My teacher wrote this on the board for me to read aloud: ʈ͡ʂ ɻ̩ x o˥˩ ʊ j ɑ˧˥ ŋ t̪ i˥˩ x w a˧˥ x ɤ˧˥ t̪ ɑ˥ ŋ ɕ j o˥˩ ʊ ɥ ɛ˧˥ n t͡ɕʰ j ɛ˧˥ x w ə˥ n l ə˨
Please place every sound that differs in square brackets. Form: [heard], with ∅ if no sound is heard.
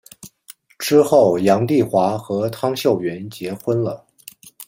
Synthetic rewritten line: ʈ͡ʂ ɻ̩ x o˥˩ ʊ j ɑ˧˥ ŋ t̪ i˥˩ x w a˧˥ x ɤ˧˥ [t̪ʰ] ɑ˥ ŋ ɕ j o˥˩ ʊ ɥ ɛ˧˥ n [t͡ɕ] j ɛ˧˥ x w ə˥ n l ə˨